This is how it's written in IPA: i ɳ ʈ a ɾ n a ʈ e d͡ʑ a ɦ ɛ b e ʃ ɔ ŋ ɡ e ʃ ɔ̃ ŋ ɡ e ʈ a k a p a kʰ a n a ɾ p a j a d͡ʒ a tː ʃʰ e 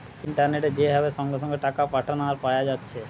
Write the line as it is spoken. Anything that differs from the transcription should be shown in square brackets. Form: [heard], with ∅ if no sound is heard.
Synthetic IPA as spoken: i ɳ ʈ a ɾ n [e] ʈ e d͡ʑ [e] ɦ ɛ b e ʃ ɔ ŋ ɡ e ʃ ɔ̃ ŋ ɡ e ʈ a k a p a [ʈʰ] a n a ɾ p a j a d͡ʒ a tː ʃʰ e

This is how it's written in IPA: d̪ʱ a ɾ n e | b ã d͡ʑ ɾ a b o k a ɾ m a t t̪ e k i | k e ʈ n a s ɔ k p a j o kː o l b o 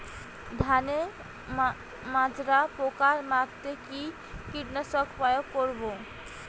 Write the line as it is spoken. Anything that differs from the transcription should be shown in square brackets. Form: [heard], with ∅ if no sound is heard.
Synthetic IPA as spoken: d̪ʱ a [∅] n e | [m] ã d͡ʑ ɾ a [p] o k a ɾ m a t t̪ e k i | k [i] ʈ n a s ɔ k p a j o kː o [ɾ] b o

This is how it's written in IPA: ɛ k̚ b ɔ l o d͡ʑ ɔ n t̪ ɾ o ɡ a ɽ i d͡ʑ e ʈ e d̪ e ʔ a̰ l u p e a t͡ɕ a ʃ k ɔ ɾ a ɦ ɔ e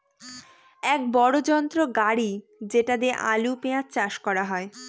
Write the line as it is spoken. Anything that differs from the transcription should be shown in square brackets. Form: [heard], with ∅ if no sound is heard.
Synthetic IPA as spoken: ɛ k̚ b ɔ [ɽ] o d͡ʑ ɔ n t̪ ɾ o ɡ a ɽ i d͡ʑ e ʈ [a] d̪ e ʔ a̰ l u p e a t͡ɕ a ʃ k ɔ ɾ a ɦ ɔ e

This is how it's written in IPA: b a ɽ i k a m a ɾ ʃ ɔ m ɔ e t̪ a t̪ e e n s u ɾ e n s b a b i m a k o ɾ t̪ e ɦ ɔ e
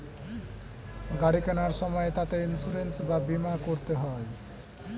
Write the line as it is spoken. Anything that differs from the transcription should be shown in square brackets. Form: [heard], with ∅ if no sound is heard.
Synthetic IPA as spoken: [ɡ] a ɽ i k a [n] a ɾ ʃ ɔ m ɔ e t̪ a t̪ e [i] n s u ɾ e n s b a b i m a k o ɾ t̪ e ɦ ɔ e

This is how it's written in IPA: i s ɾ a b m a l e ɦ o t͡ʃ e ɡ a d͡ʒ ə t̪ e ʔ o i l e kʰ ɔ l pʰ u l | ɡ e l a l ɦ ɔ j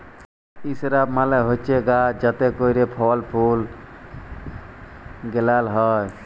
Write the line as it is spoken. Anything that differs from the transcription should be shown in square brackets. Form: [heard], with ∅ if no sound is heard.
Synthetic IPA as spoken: i s ɾ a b m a l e ɦ o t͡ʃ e ɡ a d͡ʒ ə t̪ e [k] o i [ɾ] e [pʰ] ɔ l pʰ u l | ɡ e l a l ɦ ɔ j

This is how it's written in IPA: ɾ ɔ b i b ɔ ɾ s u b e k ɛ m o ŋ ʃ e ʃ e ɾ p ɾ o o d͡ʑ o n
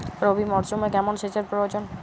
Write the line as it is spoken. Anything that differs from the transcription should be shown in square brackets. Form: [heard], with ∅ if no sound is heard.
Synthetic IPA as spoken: ɾ [o] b i [m] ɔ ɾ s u [m] e k ɛ m o [n] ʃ e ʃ e ɾ p ɾ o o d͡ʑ o n

